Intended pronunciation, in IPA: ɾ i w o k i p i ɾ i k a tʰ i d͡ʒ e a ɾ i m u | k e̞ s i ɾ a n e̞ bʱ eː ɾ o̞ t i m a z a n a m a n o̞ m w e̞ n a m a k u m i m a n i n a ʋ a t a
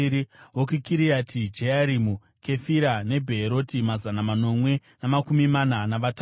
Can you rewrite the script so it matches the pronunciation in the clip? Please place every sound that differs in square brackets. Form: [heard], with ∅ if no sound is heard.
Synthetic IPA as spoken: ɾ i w o k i [k] i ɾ i [∅] a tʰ i d͡ʒ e a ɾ i m u | k e̞ [f] i ɾ a n e̞ bʱ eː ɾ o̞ t i m a z a n a m a n o̞ m w e̞ n a m a k u m i m a n [a] n a ʋ a t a